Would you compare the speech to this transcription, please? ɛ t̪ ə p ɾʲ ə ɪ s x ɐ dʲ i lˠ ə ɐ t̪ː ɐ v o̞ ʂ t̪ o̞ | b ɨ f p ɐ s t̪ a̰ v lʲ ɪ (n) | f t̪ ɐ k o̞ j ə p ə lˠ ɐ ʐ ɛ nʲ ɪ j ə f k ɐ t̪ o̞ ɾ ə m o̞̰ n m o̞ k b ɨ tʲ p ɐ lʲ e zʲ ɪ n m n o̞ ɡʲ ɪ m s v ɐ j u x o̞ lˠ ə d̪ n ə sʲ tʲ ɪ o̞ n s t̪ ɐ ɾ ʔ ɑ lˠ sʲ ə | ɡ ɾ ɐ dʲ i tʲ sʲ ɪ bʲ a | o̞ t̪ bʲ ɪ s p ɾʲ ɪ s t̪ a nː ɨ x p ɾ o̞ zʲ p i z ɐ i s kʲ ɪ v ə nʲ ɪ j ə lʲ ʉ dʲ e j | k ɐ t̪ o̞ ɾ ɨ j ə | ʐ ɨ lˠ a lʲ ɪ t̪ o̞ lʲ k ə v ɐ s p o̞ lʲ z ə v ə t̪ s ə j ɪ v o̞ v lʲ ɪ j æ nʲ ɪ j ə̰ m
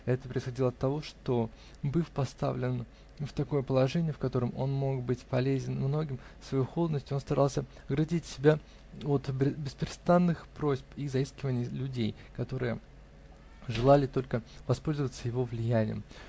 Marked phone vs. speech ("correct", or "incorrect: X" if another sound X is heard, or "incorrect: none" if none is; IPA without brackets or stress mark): correct